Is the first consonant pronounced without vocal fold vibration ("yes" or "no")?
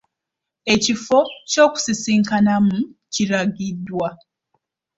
yes